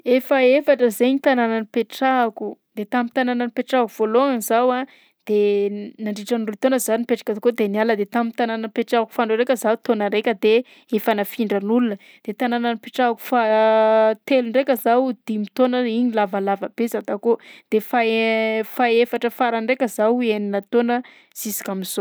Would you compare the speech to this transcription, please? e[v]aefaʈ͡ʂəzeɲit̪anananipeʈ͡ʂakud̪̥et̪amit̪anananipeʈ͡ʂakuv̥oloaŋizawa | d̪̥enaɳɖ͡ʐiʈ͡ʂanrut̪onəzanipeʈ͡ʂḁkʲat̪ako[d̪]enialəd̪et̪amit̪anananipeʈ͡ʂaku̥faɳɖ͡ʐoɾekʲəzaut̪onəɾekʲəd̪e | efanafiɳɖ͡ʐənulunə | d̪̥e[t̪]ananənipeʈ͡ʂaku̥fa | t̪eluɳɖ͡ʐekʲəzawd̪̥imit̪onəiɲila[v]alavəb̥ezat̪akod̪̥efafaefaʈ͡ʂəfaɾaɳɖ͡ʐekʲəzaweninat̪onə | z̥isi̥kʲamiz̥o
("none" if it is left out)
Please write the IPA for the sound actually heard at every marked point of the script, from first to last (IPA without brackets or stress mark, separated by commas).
f, d̪, t̪, v